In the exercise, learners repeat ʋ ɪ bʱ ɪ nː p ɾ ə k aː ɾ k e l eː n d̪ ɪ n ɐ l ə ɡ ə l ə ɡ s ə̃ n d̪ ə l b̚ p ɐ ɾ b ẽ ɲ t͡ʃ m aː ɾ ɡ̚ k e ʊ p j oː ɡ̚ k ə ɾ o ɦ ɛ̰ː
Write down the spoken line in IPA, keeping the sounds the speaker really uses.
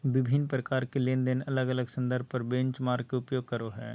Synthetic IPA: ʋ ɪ bʱ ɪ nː p ɾ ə k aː ɾ k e l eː n d̪ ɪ n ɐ l ə ɡ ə l ə ɡ s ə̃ n d̪ ə ɾ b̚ p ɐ ɾ b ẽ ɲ t͡ʃ m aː ɾ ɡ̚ k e ʊ p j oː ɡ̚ k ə ɾ o ɦ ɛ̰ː